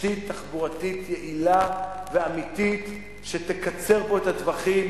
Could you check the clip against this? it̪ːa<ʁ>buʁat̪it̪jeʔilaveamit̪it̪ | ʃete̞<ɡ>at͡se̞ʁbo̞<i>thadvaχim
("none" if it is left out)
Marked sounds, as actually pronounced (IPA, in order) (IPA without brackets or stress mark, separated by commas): χ, k, e